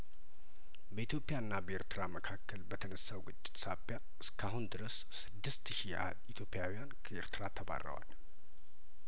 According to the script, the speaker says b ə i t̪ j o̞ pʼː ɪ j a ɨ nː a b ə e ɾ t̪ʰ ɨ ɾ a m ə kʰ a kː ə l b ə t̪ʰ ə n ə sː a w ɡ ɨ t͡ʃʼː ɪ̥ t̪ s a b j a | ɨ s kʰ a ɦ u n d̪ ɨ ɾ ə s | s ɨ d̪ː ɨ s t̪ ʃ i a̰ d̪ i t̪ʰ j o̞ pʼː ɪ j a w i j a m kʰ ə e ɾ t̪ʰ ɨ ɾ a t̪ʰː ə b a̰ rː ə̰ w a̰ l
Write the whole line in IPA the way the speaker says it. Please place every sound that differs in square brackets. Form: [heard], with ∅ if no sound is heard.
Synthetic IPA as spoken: b ə i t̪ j o̞ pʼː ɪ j a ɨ nː a b ə e ɾ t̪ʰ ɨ ɾ a m ə kʰ a kː ə l b ə t̪ʰ ə n ə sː a w ɡ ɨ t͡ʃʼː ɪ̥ t̪ s a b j a | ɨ s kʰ a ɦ u n d̪ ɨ ɾ ə s | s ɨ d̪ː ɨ s t̪ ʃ i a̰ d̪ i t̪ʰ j o̞ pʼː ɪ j a w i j a [n] kʰ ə e ɾ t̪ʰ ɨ ɾ a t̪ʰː ə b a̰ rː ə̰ w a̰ l